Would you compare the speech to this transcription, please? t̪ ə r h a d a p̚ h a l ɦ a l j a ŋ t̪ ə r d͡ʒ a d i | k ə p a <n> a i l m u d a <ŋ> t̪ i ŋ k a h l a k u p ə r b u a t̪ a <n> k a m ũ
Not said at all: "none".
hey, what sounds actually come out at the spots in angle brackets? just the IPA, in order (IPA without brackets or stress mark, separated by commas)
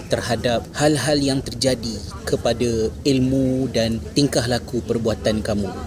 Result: d, n, n